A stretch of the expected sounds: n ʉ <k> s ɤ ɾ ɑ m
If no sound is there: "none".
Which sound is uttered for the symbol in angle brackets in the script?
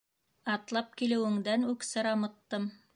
k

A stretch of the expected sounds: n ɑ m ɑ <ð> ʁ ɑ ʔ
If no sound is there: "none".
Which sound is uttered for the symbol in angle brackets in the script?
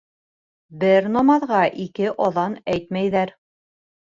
ð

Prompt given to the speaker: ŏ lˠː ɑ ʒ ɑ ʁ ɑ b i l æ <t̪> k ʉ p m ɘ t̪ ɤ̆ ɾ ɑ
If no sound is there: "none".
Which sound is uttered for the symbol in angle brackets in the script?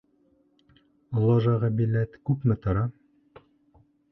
t̪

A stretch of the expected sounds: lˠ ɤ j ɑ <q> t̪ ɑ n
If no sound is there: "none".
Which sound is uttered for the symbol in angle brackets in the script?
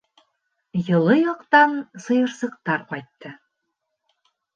q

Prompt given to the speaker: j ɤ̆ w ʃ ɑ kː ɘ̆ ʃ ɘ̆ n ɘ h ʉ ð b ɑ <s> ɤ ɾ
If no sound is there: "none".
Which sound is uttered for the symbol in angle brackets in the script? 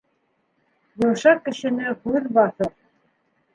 θ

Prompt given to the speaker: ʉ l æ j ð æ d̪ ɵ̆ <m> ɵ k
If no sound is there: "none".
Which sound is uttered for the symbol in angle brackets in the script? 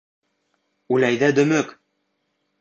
m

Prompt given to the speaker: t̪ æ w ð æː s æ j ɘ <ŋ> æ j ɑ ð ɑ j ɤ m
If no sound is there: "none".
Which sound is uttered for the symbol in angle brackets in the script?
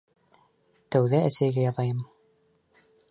ɡ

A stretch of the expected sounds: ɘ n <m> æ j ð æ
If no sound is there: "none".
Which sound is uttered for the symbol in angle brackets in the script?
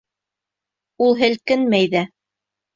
m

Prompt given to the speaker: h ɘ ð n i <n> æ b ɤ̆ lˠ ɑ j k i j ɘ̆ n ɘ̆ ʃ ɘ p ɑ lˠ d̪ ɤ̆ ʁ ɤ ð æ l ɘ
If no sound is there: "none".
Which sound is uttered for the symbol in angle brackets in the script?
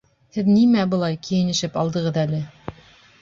m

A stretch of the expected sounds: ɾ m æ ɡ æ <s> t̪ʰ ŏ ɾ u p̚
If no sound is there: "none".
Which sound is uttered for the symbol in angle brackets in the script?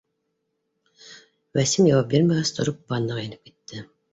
s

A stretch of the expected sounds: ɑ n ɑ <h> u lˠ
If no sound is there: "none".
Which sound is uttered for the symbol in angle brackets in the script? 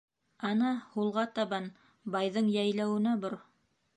h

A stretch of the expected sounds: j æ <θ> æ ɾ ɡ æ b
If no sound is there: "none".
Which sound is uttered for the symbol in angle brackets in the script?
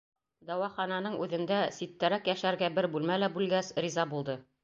ʃ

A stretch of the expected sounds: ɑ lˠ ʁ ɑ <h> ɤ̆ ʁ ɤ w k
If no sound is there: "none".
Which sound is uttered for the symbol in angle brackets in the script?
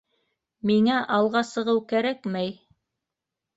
s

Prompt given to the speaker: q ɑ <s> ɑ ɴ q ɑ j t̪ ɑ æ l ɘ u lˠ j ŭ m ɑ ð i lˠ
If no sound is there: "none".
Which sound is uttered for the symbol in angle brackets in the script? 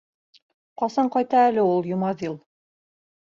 s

